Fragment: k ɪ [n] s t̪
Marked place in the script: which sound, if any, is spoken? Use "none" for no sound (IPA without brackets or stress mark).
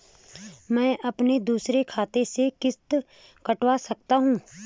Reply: none